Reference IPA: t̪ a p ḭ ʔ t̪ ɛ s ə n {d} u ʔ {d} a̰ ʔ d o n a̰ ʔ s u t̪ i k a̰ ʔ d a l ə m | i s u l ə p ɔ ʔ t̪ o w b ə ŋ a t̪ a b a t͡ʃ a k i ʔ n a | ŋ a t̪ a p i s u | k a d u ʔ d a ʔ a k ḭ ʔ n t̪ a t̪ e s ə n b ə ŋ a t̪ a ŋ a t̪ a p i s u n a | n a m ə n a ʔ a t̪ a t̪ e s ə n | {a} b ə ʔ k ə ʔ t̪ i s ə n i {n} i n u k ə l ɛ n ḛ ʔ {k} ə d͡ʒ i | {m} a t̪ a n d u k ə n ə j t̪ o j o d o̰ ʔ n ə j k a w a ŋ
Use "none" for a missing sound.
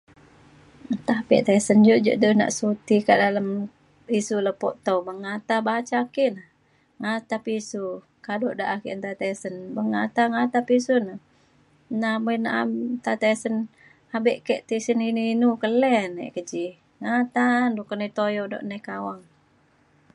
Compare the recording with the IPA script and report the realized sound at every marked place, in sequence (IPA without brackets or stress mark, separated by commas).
d͡ʒ, d͡ʒ, a, n, k, ŋ